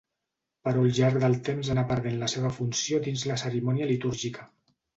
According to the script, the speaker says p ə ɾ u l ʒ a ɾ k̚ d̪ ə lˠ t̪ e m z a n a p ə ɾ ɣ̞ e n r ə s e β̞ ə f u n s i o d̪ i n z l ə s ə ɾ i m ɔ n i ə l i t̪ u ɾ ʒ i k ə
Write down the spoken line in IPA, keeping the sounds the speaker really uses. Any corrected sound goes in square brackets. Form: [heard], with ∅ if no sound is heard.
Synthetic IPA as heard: p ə ɾ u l ʒ a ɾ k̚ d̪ ə lˠ t̪ e m z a n a p ə ɾ [ð̞] e n [l] ə s e β̞ ə f u n s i o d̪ i n z l ə s ə ɾ i m ɔ n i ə l i t̪ u ɾ ʒ i k ə